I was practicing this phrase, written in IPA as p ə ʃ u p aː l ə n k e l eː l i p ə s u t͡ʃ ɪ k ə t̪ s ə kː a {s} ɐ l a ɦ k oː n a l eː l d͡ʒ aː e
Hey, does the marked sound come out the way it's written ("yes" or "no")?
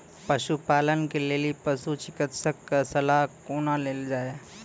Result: yes